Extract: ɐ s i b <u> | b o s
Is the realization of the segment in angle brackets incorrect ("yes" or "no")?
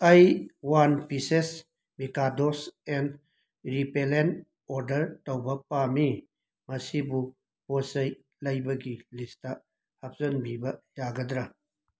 no